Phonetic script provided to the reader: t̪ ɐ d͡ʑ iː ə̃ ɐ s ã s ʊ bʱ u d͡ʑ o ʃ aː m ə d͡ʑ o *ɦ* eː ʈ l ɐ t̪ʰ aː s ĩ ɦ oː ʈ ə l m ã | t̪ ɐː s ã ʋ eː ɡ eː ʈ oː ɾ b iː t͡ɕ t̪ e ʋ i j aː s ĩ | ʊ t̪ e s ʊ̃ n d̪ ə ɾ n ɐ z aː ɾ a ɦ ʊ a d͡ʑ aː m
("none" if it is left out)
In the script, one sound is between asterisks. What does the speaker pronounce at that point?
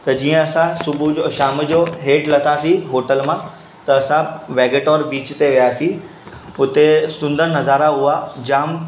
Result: ɦ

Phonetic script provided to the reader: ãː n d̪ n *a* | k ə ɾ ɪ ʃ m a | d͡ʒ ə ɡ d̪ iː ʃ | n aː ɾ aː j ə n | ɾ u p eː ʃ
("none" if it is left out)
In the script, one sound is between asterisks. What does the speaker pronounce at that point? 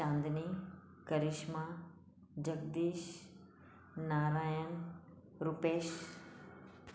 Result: i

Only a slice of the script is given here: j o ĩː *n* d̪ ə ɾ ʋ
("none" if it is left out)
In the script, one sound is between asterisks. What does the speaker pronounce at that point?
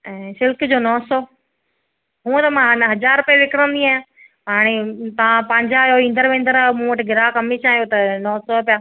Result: n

